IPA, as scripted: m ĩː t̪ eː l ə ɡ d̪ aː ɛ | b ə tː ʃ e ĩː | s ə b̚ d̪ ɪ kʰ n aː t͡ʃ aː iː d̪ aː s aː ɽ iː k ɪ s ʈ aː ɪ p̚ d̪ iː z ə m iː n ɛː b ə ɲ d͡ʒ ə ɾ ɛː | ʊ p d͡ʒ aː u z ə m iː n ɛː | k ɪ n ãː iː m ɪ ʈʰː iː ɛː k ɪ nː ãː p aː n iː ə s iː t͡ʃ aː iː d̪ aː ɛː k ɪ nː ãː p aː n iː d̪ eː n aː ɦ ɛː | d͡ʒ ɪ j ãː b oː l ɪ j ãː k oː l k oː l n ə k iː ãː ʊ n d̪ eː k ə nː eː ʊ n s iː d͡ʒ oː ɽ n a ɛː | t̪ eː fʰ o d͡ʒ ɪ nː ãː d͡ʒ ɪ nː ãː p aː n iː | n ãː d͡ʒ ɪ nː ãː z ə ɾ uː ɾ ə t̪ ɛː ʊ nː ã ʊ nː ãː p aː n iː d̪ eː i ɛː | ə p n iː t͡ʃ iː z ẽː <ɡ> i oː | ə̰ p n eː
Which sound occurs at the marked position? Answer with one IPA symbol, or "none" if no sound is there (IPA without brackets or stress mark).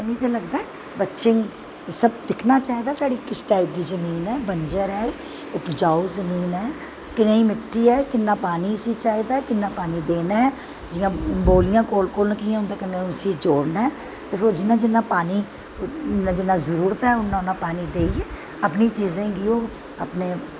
ɡ